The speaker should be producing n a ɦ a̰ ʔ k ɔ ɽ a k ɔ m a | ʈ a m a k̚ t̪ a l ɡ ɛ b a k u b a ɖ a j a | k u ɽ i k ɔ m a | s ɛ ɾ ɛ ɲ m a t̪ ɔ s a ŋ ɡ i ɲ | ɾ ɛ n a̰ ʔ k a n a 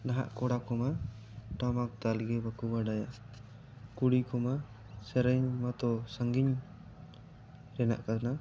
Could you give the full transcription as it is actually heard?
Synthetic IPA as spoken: n a ɦ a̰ ʔ k ɔ ɽ a k ɔ m a | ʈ a m a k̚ t̪ a l ɡ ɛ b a k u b a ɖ a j a | k u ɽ i k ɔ m a | s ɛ ɾ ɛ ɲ m a t̪ ɔ s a ŋ ɡ i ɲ | ɾ ɛ n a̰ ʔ k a n a